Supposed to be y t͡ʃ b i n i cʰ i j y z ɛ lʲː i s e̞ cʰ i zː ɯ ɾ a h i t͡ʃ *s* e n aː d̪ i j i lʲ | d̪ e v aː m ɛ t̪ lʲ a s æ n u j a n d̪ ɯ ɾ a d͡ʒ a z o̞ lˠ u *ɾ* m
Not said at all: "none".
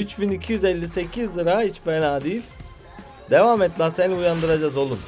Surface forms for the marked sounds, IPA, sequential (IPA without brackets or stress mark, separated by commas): f, none